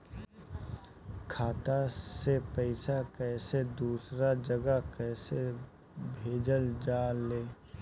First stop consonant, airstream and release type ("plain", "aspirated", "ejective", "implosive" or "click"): aspirated